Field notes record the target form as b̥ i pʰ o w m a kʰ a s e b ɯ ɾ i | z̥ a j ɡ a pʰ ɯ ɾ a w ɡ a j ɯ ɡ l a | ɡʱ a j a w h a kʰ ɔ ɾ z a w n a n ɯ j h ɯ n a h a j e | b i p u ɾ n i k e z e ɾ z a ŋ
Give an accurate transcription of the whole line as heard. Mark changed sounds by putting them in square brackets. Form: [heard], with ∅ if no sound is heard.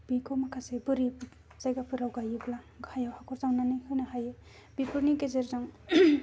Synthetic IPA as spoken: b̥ i [kʰ] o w m a kʰ a s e b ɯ ɾ i | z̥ a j ɡ a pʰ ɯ ɾ a w ɡ a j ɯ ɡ l a | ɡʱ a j a w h a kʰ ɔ ɾ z a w n a n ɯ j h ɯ n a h a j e | b i p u ɾ n i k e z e ɾ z a ŋ